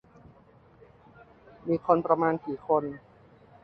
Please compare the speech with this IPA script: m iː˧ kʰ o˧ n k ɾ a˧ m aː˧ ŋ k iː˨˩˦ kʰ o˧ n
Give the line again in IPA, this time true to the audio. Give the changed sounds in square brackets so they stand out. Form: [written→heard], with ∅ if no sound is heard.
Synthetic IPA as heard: m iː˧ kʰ o˧ n [k→p] ɾ a˧ m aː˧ [ŋ→n] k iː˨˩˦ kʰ o˧ n

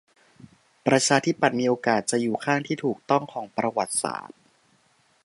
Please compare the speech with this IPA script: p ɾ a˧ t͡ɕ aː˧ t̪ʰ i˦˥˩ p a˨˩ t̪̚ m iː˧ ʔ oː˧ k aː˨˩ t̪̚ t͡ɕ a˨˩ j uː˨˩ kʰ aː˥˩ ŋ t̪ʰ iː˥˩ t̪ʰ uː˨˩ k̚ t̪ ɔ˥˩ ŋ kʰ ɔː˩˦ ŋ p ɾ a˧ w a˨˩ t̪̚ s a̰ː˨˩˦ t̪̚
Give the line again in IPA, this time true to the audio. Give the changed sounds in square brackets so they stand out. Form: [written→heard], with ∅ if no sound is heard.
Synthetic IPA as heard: p ɾ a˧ [t͡ɕ→t͡ɕʰ] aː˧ t̪ʰ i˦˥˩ p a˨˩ t̪̚ m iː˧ ʔ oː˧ k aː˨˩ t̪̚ t͡ɕ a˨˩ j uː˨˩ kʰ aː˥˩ ŋ t̪ʰ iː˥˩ t̪ʰ uː˨˩ k̚ t̪ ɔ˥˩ ŋ kʰ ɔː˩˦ ŋ p ɾ a˧ w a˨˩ t̪̚ s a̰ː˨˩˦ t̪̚

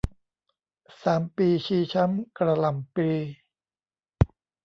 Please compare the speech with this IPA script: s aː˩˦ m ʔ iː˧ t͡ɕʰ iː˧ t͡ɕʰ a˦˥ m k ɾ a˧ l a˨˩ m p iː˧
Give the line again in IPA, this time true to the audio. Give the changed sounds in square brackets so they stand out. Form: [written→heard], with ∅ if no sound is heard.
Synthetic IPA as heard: s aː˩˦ m [ʔ→p] iː˧ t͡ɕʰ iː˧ t͡ɕʰ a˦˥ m k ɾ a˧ l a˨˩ m p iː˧

